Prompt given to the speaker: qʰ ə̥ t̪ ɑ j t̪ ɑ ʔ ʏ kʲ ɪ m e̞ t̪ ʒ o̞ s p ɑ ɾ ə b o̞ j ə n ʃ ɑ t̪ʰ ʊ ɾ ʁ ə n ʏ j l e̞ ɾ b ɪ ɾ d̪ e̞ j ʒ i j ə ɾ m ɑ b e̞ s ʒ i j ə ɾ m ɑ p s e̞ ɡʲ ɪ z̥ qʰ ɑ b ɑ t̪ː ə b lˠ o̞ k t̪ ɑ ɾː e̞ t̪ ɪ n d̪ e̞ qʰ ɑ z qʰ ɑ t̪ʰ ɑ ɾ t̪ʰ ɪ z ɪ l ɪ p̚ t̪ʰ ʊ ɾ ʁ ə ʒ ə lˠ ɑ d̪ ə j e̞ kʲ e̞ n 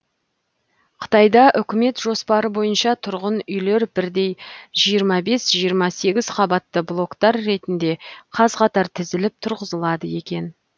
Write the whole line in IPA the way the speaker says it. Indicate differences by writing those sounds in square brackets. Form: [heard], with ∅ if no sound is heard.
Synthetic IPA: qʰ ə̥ t̪ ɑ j [d̪] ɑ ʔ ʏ kʲ ɪ m e̞ t̪ ʒ o̞ s p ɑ ɾ ə b o̞ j ə n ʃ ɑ t̪ʰ ʊ ɾ ʁ ə n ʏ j l e̞ ɾ b ɪ ɾ d̪ e̞ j ʒ i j ə ɾ m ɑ b e̞ s ʒ i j ə ɾ m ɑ [∅] s e̞ ɡʲ ɪ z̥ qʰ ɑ b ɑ t̪ː ə b lˠ o̞ k t̪ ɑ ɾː e̞ t̪ ɪ n d̪ e̞ qʰ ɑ z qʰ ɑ [t̪] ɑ ɾ t̪ʰ ɪ z ɪ l ɪ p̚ t̪ʰ ʊ ɾ ʁ ə [z] ə lˠ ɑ d̪ ə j e̞ kʲ e̞ n